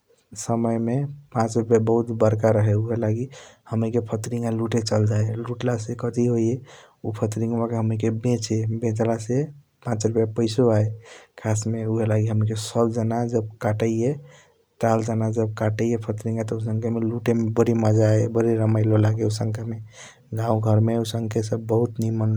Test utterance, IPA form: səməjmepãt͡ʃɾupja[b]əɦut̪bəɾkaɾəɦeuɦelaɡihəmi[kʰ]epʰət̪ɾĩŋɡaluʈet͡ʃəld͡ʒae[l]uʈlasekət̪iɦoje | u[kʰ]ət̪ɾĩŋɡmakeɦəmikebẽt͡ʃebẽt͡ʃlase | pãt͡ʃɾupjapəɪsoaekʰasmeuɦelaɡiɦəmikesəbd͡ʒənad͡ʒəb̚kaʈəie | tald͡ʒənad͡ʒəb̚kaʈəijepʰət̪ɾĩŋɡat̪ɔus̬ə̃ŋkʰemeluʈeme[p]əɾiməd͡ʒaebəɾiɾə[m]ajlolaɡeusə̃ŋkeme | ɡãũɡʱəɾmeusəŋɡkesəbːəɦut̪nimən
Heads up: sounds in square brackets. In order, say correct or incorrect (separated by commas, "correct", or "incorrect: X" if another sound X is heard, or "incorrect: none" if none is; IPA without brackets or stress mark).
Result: correct, incorrect: k, correct, incorrect: pʰ, incorrect: b, correct